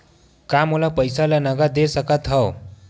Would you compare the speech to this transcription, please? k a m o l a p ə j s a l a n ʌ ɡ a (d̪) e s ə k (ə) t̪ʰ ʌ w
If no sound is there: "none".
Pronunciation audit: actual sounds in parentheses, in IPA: d̪, a

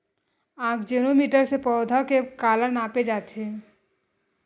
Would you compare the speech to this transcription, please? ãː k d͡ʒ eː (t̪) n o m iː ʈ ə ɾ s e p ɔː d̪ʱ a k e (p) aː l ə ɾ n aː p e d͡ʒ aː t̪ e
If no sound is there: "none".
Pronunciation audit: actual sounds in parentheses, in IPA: none, k

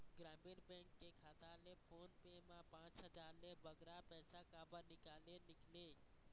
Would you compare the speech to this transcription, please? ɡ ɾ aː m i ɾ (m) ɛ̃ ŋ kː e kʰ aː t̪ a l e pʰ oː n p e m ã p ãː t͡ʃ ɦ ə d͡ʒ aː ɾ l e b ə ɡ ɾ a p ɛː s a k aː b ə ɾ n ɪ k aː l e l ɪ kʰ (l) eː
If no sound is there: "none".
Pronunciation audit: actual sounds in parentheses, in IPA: b, l

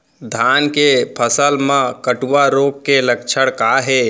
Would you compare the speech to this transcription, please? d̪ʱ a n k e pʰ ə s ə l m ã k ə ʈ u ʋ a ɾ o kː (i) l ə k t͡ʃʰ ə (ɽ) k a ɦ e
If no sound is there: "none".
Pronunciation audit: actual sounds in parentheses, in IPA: e, ɽ

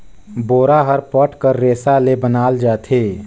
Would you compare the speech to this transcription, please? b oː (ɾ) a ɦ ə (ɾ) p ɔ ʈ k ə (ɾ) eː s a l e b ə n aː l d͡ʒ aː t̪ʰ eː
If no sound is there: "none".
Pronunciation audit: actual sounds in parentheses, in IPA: ɾ, ɾ, ɾː

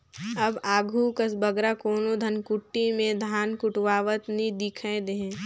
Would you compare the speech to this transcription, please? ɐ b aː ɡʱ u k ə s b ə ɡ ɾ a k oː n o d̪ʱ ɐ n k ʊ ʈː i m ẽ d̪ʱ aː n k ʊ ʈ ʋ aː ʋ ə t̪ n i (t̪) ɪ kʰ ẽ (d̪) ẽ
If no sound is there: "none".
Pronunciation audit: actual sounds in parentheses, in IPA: d̪, d̪

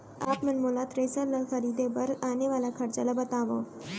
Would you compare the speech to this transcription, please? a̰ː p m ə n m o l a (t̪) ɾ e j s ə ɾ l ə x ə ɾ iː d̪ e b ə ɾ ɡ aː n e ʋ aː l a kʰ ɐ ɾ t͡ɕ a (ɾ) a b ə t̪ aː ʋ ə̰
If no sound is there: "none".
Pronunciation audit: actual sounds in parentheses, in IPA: t̪, l

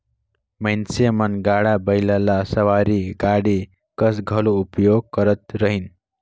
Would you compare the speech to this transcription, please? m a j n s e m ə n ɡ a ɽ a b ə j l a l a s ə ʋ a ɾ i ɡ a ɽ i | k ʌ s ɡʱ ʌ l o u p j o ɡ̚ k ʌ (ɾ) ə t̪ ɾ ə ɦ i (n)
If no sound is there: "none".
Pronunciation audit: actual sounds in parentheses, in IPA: ɾ, n

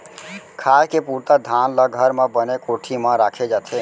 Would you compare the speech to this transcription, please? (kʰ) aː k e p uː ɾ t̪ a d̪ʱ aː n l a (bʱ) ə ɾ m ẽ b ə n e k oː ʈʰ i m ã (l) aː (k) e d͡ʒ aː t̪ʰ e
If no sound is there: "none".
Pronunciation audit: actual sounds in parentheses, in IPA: kʰ, ɡʱ, ɾ, kʰ

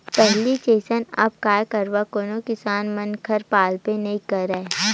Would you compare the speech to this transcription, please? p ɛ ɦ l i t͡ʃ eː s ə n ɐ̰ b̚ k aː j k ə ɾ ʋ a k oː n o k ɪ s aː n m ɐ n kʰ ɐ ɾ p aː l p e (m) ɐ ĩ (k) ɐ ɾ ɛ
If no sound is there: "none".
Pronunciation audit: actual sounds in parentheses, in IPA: n, k

